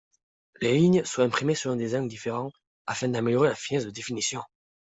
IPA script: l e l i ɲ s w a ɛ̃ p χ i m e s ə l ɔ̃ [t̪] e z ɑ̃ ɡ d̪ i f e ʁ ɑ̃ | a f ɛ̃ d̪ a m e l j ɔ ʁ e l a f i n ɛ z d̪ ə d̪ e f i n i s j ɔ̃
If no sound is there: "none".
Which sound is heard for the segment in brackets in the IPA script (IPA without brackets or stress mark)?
d̪